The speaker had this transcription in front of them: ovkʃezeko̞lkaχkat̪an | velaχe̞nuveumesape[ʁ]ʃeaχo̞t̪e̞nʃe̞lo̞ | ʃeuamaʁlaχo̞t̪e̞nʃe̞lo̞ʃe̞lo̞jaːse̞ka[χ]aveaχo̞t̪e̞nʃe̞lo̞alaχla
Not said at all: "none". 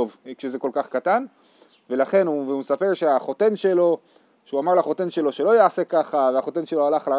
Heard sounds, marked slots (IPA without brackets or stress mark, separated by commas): ʁ, χ